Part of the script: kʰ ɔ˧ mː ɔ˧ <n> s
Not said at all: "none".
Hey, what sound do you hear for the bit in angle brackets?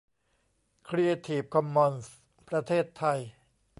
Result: n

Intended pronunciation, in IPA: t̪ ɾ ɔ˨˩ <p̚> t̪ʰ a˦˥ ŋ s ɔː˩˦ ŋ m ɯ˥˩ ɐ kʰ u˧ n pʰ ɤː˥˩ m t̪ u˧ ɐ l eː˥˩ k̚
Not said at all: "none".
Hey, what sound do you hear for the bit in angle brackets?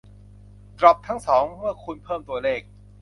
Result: p̚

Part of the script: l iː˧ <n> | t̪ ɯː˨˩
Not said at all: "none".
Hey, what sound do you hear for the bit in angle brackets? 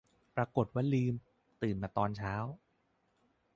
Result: m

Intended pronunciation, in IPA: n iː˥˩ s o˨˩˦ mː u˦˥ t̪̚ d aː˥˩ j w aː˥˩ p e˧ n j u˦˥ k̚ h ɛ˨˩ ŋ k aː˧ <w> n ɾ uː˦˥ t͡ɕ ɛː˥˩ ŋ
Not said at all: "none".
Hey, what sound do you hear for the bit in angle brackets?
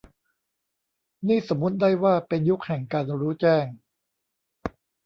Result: none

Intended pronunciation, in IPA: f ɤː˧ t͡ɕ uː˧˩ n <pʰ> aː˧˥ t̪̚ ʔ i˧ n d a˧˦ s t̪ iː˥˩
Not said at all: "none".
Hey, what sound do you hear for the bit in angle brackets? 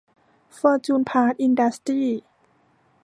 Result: pʰ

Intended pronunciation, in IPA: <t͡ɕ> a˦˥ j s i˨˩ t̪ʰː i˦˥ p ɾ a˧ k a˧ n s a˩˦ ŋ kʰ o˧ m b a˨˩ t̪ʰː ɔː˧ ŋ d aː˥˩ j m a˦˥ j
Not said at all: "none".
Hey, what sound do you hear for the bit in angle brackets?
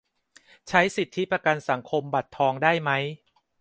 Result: t͡ɕʰ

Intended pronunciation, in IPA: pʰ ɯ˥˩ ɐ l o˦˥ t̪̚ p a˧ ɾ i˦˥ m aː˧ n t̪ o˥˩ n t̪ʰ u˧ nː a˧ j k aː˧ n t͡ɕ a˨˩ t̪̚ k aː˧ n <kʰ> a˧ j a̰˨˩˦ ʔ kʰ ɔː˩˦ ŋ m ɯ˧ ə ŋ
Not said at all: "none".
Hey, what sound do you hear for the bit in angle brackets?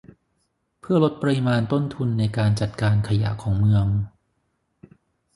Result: kʰ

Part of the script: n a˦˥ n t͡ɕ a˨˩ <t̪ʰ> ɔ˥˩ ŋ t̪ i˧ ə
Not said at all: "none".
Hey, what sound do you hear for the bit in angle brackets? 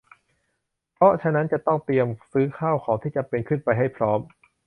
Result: t̪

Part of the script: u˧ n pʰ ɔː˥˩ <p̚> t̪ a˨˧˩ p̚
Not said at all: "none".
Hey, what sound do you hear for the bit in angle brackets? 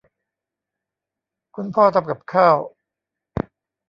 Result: none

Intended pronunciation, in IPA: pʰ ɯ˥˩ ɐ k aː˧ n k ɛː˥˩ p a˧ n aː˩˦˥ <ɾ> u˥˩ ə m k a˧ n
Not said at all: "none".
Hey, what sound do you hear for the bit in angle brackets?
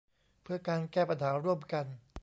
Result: ɾ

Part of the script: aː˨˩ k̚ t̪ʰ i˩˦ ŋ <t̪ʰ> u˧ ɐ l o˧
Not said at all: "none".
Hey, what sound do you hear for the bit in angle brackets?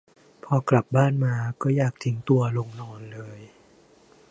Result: t̪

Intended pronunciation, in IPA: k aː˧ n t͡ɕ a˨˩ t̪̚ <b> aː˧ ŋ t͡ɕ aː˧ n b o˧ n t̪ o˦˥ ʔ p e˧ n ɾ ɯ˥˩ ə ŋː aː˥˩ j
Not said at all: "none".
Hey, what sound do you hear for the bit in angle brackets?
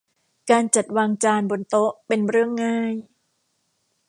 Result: w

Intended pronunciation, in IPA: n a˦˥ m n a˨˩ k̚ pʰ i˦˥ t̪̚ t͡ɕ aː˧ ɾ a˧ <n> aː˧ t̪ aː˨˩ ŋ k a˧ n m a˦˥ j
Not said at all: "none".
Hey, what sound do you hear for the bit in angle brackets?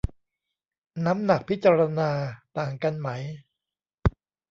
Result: n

